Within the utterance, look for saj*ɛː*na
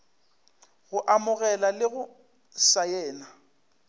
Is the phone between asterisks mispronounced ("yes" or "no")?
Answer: no